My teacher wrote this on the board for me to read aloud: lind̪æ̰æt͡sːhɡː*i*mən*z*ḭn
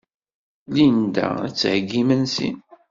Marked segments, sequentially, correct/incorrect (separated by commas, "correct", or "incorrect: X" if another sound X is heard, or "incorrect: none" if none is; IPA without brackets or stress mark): correct, incorrect: s